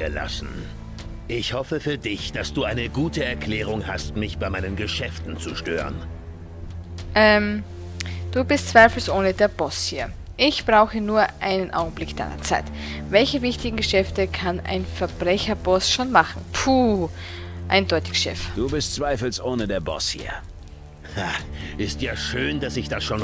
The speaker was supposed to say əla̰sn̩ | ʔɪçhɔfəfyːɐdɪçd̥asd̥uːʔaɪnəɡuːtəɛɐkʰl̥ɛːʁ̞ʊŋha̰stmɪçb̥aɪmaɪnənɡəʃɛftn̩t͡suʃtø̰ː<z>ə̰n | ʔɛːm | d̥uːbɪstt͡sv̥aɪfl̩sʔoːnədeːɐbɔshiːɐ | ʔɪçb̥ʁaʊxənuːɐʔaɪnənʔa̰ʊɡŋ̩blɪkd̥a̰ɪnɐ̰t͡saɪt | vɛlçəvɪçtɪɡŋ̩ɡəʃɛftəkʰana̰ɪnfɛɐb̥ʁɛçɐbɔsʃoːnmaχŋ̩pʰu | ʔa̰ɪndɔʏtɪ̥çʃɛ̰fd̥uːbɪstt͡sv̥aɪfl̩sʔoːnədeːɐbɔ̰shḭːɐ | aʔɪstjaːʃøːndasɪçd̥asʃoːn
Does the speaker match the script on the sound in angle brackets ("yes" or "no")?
no